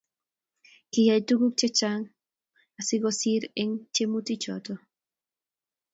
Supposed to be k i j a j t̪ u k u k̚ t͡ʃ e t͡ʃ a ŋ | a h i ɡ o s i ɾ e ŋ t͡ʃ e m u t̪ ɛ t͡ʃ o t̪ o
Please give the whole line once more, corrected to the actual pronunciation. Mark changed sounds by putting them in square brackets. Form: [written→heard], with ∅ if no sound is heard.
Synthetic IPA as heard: k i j a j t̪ u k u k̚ t͡ʃ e t͡ʃ a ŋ | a [h→s] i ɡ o s i ɾ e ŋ t͡ʃ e m u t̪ [ɛ→i] t͡ʃ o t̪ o